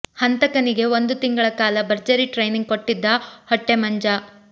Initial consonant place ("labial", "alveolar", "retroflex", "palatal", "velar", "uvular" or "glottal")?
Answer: glottal